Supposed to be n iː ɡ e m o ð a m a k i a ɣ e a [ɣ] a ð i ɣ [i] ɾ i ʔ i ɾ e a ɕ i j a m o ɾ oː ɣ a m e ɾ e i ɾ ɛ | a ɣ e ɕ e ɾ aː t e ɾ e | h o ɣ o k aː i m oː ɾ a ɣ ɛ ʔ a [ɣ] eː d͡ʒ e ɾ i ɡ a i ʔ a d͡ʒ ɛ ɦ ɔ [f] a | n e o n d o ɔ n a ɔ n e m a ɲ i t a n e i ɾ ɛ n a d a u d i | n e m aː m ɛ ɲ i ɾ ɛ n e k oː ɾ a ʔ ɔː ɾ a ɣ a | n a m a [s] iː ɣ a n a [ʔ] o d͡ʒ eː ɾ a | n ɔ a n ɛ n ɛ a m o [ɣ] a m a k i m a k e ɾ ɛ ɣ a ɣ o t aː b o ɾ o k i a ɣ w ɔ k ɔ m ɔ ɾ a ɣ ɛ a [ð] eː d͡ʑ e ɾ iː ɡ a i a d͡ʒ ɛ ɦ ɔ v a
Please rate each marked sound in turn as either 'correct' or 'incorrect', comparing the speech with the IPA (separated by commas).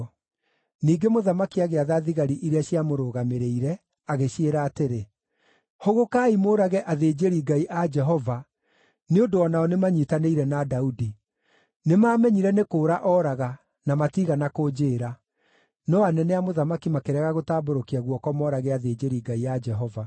incorrect, incorrect, incorrect, incorrect, incorrect, incorrect, incorrect, correct